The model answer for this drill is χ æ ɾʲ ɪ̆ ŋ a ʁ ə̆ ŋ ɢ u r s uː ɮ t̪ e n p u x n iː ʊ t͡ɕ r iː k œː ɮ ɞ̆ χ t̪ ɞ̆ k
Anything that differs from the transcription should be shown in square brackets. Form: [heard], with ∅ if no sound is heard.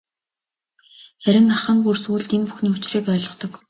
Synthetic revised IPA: χ æ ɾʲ ɪ̆ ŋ a [χ] ə̆ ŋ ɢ u r s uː ɮ t̪ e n p u x n iː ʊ t͡ɕ r iː k œː ɮ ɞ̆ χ t̪ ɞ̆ k